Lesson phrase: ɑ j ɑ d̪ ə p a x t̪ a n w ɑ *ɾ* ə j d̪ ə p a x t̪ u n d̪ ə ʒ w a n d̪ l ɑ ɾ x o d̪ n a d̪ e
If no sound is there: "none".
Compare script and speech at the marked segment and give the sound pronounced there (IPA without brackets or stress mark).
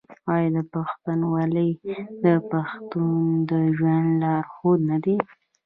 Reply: l